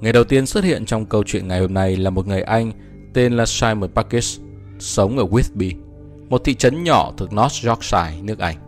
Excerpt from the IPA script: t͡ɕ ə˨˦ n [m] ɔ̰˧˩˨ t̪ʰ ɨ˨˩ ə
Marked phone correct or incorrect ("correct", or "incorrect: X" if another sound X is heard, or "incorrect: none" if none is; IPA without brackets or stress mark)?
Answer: incorrect: ɲ